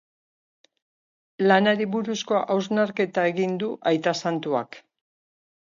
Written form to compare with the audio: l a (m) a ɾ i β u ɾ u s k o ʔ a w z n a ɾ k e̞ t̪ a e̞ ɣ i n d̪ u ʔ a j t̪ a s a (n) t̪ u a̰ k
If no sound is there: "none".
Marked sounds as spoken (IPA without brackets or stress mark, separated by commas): n, n